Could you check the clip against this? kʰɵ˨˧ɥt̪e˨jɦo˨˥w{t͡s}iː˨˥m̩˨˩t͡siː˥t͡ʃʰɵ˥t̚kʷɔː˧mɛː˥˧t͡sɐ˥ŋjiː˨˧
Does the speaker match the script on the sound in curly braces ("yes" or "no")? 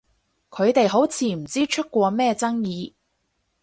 no